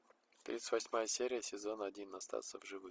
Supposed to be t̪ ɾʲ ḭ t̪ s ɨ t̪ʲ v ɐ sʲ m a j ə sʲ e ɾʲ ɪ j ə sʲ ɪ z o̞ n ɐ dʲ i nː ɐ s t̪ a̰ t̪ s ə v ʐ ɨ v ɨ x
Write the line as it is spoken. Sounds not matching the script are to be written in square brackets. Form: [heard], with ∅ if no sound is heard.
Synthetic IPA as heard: t̪ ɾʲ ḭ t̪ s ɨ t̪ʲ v ɐ sʲ m a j ə sʲ e ɾʲ ɪ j ə sʲ ɪ z o̞ n ɐ dʲ i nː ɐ s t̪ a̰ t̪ s ə v ʐ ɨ v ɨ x